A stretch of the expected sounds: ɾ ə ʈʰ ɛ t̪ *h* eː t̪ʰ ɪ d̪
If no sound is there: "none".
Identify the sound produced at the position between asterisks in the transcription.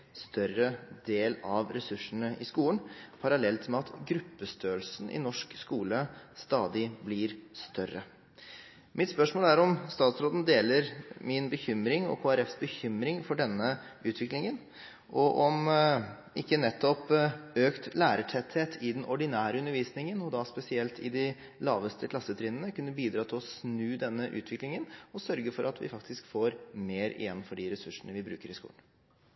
h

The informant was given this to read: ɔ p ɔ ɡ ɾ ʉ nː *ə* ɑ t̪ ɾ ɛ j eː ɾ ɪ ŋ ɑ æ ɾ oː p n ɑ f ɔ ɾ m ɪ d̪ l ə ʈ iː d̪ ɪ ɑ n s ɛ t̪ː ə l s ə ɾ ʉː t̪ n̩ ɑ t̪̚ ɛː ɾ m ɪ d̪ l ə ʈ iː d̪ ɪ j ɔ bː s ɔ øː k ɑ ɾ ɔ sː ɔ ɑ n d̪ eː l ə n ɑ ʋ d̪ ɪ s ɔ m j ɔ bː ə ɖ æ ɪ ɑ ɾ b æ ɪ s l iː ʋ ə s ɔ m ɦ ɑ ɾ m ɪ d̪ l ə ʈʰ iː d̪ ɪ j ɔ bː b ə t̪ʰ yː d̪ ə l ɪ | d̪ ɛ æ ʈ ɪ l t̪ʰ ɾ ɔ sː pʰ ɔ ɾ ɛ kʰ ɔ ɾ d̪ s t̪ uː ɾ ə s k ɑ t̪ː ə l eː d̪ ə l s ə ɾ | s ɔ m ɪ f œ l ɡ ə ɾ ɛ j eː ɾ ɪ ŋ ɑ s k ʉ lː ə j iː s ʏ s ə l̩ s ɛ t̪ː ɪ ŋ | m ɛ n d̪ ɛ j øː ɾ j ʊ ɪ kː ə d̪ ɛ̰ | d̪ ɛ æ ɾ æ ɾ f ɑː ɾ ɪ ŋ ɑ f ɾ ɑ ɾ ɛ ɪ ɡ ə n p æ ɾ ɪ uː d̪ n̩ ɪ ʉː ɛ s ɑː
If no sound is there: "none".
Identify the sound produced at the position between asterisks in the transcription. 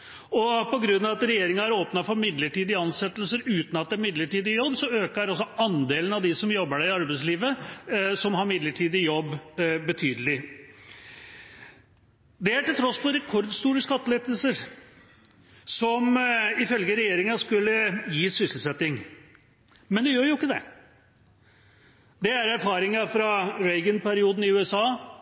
ɑ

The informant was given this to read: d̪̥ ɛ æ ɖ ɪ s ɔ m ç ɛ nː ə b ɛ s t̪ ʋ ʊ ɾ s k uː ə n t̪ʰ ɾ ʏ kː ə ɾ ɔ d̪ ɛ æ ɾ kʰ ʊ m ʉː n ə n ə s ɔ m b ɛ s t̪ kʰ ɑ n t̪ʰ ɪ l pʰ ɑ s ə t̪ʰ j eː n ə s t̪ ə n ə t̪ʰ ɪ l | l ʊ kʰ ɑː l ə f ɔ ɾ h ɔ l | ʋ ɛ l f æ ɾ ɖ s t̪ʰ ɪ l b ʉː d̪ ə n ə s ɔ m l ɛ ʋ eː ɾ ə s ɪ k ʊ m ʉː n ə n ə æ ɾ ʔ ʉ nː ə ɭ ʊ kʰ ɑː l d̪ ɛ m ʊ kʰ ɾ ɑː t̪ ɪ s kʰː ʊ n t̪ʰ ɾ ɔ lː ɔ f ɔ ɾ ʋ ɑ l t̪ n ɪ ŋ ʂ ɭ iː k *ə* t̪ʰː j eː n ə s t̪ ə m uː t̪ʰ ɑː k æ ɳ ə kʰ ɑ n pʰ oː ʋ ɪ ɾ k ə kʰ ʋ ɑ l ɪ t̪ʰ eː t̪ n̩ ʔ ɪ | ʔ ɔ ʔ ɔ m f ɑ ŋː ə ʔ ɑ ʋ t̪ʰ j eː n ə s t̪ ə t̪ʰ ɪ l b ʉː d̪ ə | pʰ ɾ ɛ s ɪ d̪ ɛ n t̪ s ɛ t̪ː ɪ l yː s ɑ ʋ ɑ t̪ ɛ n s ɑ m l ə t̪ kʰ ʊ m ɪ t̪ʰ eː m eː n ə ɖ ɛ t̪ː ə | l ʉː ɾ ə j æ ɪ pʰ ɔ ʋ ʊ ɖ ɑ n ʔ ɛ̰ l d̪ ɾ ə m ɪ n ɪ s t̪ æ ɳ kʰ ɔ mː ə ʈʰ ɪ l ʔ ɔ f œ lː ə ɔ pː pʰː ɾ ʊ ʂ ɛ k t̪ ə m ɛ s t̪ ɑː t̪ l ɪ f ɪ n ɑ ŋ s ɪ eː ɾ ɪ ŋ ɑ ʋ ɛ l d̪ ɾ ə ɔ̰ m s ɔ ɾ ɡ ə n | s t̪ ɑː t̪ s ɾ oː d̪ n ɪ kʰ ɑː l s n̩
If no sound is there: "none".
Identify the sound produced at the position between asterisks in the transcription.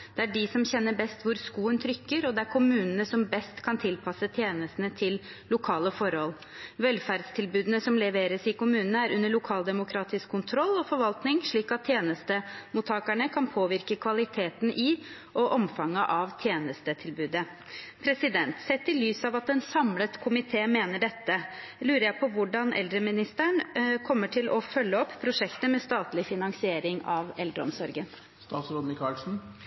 ɑ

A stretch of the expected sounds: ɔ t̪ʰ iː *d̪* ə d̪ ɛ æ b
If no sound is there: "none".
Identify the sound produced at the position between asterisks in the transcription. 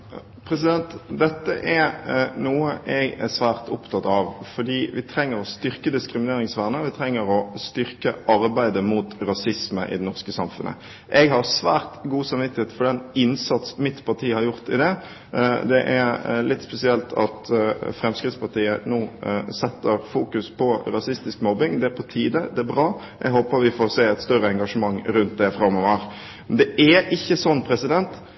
d̪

